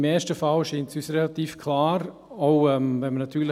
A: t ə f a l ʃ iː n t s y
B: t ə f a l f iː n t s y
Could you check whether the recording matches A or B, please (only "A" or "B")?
A